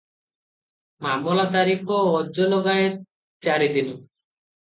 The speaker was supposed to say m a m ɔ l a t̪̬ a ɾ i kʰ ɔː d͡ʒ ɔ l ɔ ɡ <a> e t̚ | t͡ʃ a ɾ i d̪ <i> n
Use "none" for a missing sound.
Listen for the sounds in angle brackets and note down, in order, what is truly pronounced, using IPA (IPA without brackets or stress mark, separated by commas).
a, i